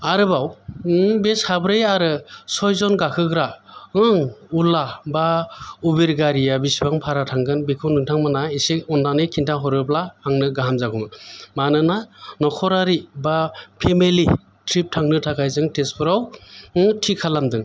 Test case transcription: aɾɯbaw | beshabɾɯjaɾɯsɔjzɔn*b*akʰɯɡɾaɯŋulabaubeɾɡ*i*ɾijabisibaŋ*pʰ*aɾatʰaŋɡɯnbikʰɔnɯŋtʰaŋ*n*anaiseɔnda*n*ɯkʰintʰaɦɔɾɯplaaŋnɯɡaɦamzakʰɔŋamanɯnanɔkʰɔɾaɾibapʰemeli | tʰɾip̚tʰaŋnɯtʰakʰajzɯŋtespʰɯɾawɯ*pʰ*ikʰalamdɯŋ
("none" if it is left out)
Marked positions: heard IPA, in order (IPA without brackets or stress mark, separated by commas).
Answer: ɡ, a, pʰ, m, n, tʰ